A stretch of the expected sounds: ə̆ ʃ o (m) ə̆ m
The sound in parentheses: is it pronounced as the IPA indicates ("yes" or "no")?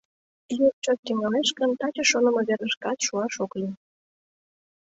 no